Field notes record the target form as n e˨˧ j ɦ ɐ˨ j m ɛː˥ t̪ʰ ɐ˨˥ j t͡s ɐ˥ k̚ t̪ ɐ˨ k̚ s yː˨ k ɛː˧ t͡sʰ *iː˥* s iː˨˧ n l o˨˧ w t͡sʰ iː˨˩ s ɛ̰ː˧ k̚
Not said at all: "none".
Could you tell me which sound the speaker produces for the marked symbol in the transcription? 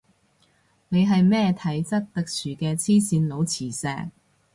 iː˥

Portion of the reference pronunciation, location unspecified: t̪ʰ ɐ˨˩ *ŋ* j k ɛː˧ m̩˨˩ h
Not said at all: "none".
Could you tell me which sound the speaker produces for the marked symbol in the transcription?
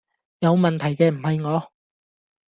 none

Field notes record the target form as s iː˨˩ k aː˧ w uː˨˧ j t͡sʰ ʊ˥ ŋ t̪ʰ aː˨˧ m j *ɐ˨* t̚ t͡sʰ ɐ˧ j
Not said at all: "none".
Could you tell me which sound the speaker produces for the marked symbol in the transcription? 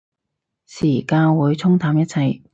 ɐ˥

